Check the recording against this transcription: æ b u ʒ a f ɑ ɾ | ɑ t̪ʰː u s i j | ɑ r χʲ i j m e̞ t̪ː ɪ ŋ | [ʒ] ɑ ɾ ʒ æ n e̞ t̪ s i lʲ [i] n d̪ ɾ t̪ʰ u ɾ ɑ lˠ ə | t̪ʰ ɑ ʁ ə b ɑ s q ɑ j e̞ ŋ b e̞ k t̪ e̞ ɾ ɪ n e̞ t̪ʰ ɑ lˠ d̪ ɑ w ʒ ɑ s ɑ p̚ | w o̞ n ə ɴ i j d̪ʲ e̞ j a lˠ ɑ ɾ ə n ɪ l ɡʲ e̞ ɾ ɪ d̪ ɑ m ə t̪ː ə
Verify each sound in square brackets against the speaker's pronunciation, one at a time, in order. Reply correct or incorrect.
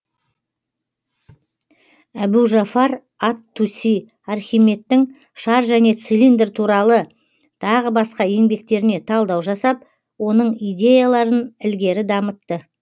incorrect: ʃ, correct

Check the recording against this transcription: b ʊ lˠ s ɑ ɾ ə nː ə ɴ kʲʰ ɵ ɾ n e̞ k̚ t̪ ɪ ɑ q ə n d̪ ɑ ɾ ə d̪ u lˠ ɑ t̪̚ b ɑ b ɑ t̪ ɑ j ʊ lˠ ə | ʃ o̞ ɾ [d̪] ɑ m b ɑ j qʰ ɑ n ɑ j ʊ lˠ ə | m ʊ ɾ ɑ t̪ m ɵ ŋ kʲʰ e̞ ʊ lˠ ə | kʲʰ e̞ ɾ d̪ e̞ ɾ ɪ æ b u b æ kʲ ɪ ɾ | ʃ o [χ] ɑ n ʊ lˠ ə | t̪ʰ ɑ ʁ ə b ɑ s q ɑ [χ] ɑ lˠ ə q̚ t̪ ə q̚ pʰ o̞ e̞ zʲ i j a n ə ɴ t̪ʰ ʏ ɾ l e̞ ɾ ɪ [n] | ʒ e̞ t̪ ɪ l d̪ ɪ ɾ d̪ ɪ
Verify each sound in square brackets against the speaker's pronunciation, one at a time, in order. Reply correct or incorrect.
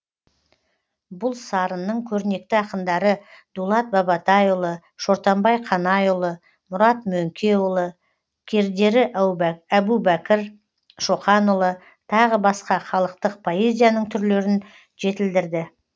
incorrect: t̪, correct, correct, correct

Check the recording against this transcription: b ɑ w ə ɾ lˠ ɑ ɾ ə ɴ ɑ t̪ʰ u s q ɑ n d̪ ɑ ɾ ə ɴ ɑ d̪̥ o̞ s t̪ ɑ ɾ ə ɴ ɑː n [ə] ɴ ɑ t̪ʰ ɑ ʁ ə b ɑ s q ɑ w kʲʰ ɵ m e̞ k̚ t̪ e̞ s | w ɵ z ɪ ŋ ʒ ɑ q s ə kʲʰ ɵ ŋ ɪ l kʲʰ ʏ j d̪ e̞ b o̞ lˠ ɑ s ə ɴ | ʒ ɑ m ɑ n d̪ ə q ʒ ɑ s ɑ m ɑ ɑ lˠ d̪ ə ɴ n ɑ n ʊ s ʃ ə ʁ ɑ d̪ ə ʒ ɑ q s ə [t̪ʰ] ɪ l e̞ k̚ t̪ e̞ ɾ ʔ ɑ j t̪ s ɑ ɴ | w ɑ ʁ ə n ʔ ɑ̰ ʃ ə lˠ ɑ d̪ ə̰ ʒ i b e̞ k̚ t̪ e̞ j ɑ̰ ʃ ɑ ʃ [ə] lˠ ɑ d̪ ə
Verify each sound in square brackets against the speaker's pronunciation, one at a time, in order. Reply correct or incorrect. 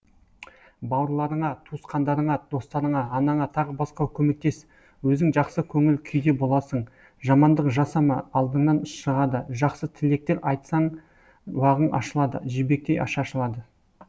incorrect: ɑ, correct, correct

